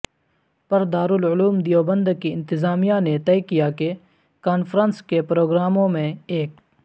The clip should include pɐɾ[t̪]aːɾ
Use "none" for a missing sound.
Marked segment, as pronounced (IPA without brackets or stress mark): d̪